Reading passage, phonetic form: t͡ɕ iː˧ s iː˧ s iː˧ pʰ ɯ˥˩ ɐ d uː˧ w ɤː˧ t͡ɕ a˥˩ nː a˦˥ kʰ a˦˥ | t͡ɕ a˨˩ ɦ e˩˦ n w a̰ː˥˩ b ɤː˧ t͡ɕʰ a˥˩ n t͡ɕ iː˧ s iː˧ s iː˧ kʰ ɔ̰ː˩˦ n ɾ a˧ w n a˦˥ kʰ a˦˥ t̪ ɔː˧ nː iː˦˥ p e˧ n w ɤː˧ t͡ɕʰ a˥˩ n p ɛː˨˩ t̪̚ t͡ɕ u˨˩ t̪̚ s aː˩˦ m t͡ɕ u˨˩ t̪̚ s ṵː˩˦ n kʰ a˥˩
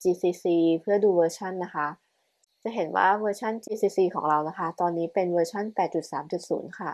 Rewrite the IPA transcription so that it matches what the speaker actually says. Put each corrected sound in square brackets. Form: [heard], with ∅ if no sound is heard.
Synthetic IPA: t͡ɕ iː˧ s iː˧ s iː˧ pʰ ɯ˥˩ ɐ d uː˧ w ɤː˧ [t͡ɕʰ] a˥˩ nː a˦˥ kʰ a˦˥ | t͡ɕ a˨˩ ɦ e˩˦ n w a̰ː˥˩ [w] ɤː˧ t͡ɕʰ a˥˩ n t͡ɕ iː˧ s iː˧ s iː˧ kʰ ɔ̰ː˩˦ [ŋ] ɾ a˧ w n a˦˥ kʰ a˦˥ t̪ ɔː˧ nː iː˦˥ p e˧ n w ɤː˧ t͡ɕʰ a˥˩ n p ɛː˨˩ t̪̚ t͡ɕ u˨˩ t̪̚ s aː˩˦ m t͡ɕ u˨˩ t̪̚ s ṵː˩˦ n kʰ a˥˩